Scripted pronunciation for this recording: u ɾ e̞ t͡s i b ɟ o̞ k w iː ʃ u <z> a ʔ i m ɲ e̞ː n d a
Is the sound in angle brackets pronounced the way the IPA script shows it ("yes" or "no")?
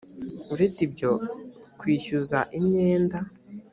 yes